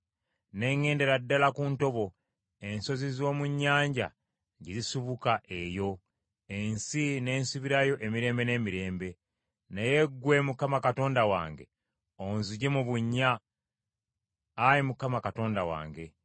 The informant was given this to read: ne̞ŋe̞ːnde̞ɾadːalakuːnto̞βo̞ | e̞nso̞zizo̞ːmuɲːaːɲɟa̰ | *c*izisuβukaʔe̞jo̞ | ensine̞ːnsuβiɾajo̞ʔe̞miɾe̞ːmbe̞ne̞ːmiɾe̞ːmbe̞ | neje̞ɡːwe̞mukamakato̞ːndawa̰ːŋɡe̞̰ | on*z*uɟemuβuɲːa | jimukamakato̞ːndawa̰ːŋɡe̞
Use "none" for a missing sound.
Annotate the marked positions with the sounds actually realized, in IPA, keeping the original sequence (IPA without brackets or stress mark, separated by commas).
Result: ɟ, z